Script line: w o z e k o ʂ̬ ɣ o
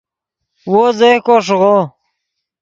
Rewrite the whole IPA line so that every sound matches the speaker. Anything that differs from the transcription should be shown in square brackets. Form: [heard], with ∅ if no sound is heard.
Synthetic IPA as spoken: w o z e k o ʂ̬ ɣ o